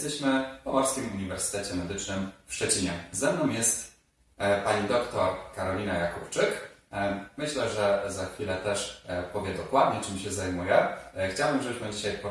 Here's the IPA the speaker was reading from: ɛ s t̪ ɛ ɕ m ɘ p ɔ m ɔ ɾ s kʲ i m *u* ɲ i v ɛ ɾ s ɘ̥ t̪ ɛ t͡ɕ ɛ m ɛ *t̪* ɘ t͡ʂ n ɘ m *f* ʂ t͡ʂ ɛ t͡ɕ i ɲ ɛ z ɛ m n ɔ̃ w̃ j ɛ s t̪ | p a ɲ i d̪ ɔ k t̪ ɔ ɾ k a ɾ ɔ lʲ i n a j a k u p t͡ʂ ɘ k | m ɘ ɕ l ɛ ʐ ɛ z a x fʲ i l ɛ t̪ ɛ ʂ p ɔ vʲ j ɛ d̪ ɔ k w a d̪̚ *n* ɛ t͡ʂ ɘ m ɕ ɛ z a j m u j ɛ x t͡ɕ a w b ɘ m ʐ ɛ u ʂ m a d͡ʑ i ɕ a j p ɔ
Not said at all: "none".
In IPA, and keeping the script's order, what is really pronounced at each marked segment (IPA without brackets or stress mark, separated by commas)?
u, d̪, f, ɲ